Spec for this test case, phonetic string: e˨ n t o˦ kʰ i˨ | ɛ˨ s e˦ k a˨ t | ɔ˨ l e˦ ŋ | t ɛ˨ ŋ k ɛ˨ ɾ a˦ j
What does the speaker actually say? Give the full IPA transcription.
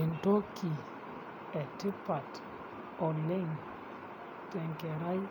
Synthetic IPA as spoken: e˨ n t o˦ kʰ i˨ | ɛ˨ t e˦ p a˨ t | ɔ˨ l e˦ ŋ | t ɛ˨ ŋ k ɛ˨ ɾ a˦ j